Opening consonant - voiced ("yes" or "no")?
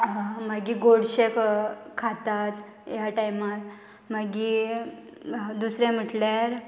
yes